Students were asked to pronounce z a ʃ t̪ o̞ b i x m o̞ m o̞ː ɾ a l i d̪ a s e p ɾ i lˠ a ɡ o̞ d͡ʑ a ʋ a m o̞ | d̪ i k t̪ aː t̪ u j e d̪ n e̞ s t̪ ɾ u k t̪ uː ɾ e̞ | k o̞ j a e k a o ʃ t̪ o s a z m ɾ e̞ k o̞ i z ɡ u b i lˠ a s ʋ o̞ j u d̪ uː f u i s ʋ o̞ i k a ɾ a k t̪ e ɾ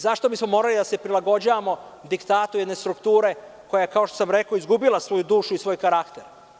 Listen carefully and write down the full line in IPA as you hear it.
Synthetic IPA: z a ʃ t̪ o̞ b i s m o̞ m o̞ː ɾ a l i d̪ a s e p ɾ i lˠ a ɡ o̞ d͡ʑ a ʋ a m o̞ | d̪ i k t̪ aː t̪ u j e d̪ n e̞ s t̪ ɾ u k t̪ uː ɾ e̞ | k o̞ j a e k a o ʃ t̪ o s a m ɾ e̞ k o̞ i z ɡ u b i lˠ a s ʋ o̞ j u d̪ uː ʃ u i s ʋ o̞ j k a ɾ a k t̪ e ɾ